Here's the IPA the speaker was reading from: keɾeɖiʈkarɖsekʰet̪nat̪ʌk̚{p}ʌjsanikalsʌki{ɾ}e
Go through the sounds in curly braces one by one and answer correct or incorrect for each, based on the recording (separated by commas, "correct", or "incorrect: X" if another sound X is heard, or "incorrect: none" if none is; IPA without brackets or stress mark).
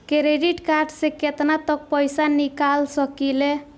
correct, incorrect: l